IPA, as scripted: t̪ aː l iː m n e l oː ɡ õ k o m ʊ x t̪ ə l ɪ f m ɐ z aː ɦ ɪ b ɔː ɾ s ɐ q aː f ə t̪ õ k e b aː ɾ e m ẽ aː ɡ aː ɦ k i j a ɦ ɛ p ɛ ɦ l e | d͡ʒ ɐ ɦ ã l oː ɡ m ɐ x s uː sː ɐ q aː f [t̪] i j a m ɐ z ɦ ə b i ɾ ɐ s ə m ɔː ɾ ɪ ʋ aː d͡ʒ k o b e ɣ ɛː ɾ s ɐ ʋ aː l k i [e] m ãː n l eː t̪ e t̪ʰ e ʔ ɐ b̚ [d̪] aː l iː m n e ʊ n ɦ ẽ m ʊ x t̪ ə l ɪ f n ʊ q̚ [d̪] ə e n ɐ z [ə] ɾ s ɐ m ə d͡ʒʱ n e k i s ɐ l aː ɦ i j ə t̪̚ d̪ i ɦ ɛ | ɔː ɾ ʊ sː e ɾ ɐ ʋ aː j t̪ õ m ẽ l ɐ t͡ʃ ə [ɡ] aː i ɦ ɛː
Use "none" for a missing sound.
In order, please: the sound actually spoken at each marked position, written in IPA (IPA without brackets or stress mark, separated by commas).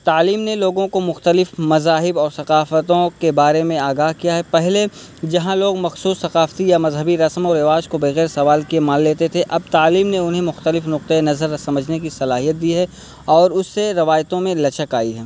t̪, e, t̪, t̪, ə, k